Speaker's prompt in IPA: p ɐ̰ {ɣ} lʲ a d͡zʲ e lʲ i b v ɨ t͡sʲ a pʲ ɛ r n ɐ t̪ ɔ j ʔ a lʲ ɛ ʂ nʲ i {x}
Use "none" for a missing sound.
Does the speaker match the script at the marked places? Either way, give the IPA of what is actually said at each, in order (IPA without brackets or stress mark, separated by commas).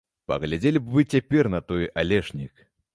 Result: ɣ, k